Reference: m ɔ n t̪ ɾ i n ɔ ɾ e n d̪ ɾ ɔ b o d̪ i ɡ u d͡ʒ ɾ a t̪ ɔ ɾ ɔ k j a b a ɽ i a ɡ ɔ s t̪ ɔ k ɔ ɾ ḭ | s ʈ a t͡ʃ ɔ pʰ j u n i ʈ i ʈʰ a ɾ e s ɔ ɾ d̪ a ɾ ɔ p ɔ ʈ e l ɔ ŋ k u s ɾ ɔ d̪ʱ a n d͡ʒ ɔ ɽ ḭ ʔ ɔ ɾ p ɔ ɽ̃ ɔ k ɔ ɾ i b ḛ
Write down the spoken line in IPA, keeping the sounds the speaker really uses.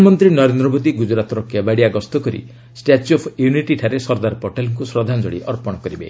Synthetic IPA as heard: m ɔ n t̪ ɾ i n ɔ ɾ e n d̪ ɾ ɔ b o d̪ i ɡ u d͡ʒ ɾ a t̪ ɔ ɾ ɔ k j a b a ɽ i a ɡ ɔ s t̪ ɔ k ɔ ɾ ḭ | s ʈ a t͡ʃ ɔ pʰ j u n i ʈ i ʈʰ a ɾ e s ɔ ɾ d̪ a ɾ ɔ p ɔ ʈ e l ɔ ŋ k u s ɾ ɔ d̪ʱ a n d͡ʒ ɔ ɽ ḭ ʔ ɔ ɾ p ɔ ɽ̃ ɔ k ɔ ɾ i b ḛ